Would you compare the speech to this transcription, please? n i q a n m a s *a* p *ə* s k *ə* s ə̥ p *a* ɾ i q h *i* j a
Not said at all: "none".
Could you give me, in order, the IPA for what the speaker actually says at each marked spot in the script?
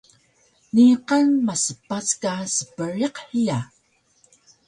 ə, a, a, ə, i

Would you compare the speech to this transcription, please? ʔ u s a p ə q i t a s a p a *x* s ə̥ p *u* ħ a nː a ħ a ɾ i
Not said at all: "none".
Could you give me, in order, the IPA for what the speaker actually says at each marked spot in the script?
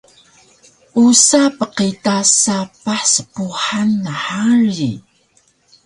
ħ, u

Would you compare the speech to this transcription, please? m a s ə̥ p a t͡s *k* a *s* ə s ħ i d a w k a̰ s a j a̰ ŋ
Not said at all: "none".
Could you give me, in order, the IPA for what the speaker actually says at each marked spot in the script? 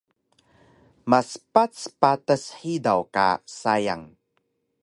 p, t

